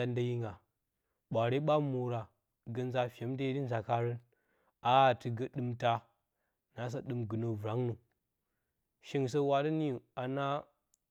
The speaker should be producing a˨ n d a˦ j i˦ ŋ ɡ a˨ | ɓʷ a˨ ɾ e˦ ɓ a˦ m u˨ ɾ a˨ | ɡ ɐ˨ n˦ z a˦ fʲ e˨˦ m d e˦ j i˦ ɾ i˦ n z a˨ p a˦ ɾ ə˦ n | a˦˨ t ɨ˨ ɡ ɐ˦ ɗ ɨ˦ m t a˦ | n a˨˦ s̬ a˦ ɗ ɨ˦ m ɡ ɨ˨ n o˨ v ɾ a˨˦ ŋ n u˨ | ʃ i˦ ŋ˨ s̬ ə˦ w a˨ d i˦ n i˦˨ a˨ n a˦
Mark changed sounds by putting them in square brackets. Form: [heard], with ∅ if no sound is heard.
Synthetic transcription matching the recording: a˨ n d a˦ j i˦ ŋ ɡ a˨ | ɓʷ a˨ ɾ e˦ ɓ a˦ m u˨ ɾ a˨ | ɡ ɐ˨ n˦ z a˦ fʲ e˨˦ m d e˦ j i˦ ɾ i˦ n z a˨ [k] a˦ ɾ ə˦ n | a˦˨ t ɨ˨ ɡ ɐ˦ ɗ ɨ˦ m t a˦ | n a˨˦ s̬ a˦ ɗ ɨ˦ m ɡ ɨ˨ n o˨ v ɾ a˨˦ ŋ n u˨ | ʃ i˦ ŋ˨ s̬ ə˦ w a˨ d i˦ n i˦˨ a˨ n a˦